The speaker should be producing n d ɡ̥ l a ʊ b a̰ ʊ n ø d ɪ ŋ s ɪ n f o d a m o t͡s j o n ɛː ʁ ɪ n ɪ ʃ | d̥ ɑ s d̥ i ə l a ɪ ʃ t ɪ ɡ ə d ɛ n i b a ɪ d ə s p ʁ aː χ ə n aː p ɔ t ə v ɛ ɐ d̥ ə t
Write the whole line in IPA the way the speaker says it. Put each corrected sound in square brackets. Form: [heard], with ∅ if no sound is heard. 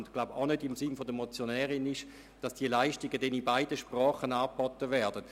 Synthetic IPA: n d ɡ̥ l a ʊ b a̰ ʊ n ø d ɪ [m] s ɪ n f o d [ə] m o t͡s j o n ɛː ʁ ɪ n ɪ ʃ | d̥ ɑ s d̥ i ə l a ɪ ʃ t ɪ ɡ ə d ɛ n i b a ɪ d ə [ʃ] p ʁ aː χ ə n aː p ɔ t ə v ɛ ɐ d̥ ə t